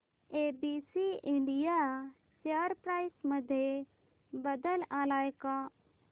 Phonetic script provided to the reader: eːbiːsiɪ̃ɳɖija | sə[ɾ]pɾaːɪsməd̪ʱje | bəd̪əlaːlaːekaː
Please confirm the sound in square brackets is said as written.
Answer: yes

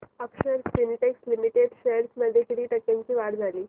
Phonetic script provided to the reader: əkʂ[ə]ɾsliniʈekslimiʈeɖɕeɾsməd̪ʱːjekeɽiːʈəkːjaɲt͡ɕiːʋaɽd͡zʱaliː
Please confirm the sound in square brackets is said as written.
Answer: yes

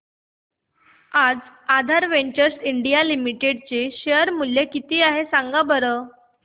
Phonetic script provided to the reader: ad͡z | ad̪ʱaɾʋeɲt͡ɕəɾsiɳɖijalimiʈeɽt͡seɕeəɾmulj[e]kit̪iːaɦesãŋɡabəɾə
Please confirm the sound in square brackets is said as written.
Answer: yes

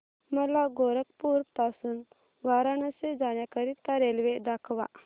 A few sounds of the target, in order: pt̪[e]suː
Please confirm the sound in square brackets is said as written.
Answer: no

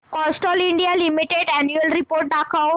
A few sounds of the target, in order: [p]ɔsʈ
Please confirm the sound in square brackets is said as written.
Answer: no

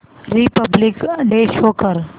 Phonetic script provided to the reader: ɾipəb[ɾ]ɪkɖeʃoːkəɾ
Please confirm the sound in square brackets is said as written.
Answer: no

